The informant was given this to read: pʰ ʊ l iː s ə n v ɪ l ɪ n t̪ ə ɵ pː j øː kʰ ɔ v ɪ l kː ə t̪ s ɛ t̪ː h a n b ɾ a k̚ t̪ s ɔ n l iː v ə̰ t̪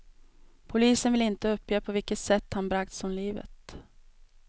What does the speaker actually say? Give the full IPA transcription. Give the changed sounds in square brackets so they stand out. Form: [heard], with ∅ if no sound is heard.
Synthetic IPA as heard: pʰ ʊ l iː s ə n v ɪ l ɪ n t̪ ə ɵ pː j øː [pʰ] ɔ v ɪ l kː ə t̪ s ɛ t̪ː h a n b ɾ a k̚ t̪ s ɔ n l iː v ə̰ t̪